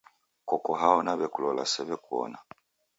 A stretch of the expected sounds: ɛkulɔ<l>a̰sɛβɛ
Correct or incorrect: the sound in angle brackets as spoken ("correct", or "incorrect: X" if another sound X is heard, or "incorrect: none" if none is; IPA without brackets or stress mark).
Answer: correct